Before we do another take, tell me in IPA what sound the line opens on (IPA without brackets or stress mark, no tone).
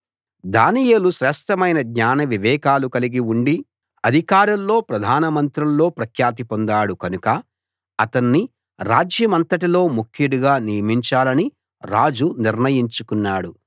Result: d̪